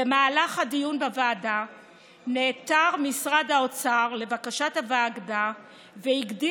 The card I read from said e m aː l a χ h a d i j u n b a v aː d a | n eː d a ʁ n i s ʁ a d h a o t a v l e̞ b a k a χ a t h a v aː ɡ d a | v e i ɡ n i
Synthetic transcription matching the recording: e m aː l a χ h a d i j u n b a v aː d a | n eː t a ʁ m i s ʁ a d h a o t͡s a ʁ l e̞ v a k a ʃ a t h a v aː ɡ d a | v e i ɡ d i